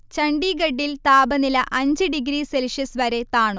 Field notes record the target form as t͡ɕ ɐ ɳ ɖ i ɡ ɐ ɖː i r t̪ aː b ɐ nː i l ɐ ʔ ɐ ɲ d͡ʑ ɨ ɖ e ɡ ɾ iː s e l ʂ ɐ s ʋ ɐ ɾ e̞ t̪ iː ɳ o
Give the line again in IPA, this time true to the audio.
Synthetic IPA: t͡ɕ ɐ ɳ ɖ i ɡ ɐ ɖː i l t̪ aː b ɐ n i l ɐ ʔ ɐ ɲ d͡ʑ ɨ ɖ i ɡ ɾ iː s e l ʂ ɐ s ʋ ɐ ɾ e̞ t̪ aː ɳ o